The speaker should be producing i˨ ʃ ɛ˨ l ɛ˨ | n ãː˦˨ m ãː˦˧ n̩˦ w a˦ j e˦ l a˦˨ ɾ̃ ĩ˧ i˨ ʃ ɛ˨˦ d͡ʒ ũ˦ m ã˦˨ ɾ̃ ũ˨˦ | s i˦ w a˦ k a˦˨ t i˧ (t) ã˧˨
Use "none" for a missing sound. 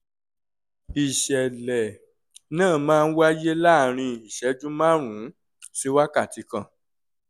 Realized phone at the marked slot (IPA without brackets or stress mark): k